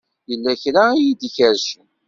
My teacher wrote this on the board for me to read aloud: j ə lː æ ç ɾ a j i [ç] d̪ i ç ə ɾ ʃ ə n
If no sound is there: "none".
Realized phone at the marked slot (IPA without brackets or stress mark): none